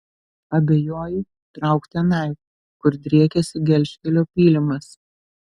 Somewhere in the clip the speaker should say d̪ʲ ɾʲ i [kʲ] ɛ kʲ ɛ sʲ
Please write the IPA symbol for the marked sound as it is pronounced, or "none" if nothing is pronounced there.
none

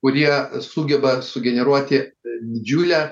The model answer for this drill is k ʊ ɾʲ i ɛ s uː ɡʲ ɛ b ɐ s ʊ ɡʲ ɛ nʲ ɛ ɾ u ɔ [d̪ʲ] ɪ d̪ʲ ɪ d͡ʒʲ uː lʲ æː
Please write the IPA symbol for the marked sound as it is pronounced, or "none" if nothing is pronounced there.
t̪ʲ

